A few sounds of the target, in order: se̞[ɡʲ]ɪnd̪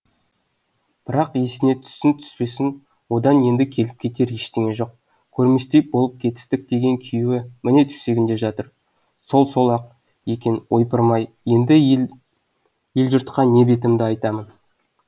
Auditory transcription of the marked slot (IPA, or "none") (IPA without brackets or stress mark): ɡʲ